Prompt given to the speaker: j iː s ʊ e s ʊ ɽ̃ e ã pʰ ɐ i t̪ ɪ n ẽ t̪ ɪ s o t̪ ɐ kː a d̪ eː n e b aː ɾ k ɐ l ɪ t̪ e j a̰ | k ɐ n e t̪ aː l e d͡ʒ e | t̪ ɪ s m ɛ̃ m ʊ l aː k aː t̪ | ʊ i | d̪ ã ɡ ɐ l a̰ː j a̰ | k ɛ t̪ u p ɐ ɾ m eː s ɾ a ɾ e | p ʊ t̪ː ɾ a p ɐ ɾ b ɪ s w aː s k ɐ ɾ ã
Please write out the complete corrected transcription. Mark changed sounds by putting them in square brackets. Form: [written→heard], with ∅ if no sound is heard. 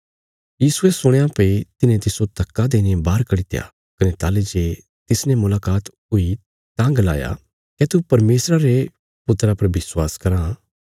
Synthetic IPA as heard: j iː s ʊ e s ʊ ɽ̃ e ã [pʰ→p] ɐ i t̪ ɪ n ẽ t̪ ɪ s o t̪ ɐ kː a d̪ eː n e b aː ɾ k ɐ [l→ɽ] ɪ t̪ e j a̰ | k ɐ n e t̪ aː l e d͡ʒ e | t̪ ɪ s [m→n] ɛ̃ m ʊ l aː k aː t̪ | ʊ i | [d̪→t̪] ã ɡ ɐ l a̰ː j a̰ | k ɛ t̪ u p ɐ ɾ m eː s ɾ a ɾ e | p ʊ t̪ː ɾ a p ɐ ɾ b ɪ s w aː s k ɐ ɾ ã